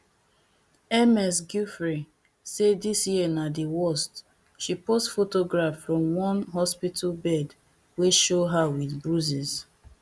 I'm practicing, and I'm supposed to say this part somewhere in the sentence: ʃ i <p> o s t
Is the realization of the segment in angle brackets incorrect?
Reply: no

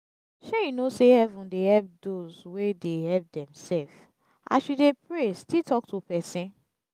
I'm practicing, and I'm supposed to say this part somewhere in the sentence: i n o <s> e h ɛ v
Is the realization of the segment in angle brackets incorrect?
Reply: no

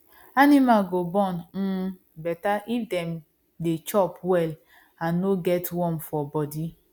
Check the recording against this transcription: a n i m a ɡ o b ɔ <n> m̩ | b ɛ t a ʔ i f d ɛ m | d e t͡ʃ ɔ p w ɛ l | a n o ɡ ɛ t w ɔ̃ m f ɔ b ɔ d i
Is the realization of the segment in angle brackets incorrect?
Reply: no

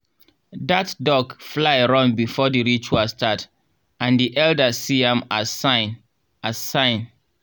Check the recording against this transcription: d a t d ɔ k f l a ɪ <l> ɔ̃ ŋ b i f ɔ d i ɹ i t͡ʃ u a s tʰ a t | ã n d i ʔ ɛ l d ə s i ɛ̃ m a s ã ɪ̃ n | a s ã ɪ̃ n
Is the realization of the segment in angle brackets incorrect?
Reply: yes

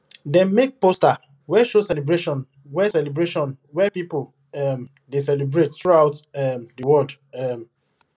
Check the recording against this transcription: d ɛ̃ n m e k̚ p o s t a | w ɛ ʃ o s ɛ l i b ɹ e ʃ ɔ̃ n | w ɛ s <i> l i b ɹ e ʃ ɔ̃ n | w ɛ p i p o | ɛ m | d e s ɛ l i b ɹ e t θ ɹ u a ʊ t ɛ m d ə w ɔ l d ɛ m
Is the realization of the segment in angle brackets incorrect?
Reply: yes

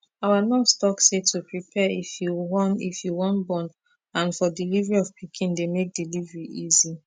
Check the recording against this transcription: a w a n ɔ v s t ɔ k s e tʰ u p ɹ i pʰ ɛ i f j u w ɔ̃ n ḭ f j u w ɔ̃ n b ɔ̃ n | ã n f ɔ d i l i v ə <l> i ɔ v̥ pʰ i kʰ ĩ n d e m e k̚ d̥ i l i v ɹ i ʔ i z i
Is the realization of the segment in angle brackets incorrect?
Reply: yes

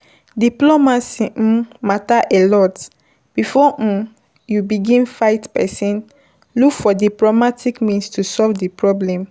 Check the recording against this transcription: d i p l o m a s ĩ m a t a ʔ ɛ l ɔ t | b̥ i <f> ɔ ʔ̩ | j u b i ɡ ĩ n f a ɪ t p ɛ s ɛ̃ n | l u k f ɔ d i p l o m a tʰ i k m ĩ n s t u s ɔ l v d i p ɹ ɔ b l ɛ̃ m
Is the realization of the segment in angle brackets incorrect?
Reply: no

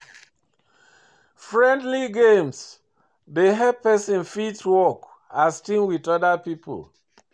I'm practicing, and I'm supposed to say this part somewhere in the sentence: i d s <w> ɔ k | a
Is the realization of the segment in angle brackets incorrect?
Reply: no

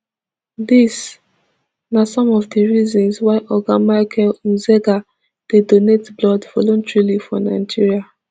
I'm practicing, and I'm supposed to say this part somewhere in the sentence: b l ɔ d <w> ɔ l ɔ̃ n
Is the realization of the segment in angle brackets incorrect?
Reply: yes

